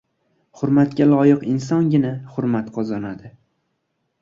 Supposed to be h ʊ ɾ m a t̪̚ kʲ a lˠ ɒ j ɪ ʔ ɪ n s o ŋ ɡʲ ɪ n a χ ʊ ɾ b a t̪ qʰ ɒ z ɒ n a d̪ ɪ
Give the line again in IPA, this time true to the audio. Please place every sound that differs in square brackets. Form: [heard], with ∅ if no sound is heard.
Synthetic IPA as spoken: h ʊ ɾ m a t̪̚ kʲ a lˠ ɒ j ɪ [q] ɪ n s [ɒ] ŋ ɡʲ ɪ n a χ ʊ ɾ [m] a t̪ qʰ ɒ z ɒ n a d̪ ɪ